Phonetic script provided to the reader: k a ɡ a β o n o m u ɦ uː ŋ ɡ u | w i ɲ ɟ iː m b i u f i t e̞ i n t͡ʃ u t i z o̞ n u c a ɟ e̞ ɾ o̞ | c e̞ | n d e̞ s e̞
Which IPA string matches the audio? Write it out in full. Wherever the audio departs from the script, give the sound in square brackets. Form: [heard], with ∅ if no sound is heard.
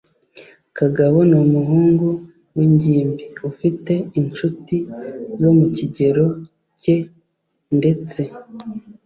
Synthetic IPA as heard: k a ɡ a β o n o m u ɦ uː ŋ ɡ u | w i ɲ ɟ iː m b i u f i t e̞ i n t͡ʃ u t i z o̞ [m] u c [i] ɟ e̞ ɾ o̞ | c e̞ | n d e̞ [t͡s] e̞